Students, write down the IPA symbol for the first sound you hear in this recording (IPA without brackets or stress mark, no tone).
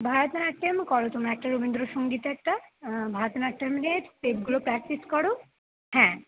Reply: bʱ